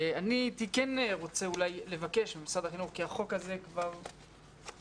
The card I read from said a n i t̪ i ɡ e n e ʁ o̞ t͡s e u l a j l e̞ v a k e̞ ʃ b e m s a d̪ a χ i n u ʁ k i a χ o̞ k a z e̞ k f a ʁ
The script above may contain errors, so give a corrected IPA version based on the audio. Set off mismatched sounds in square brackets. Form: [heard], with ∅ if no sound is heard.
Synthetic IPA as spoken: a n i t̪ i [k] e n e ʁ o̞ t͡s e u l a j l e̞ v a k e̞ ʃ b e m s a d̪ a χ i n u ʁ k i a χ o̞ k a z e̞ k [v] a ʁ